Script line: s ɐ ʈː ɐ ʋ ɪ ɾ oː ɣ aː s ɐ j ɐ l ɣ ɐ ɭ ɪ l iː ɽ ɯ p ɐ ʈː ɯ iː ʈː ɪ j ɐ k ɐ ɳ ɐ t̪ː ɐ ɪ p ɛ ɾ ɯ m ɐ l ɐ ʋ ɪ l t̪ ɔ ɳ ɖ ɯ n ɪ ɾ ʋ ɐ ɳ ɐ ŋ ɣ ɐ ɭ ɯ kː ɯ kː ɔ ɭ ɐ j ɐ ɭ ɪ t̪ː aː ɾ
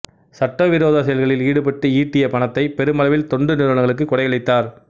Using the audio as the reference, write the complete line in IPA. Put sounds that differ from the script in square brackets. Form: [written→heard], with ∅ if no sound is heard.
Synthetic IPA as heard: s ɐ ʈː ɐ ʋ ɪ ɾ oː [ɣ→ð] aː s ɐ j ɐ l ɣ ɐ ɭ ɪ l iː ɽ ɯ p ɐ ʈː ɯ iː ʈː ɪ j ɐ [k→p] ɐ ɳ ɐ t̪ː ɐ ɪ p ɛ ɾ ɯ m ɐ l ɐ ʋ ɪ l t̪ ɔ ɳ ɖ ɯ n ɪ ɾ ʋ ɐ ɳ ɐ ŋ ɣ ɐ ɭ ɯ kː ɯ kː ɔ [ɭ→ɽ] ɐ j ɐ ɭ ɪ t̪ː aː ɾ